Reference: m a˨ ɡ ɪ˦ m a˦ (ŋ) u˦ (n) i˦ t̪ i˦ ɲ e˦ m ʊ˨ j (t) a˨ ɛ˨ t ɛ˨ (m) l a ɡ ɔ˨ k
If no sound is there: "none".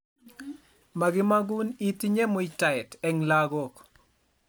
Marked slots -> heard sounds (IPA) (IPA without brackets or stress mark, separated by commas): ɡ, n, t, ŋ